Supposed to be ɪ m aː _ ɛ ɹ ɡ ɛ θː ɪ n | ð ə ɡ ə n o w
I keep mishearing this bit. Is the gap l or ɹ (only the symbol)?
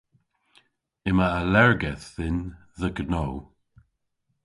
l